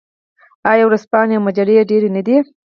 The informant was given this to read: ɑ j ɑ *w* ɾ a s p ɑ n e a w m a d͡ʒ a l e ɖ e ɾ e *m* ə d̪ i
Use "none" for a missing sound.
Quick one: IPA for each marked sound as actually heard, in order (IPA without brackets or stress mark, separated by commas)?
w, n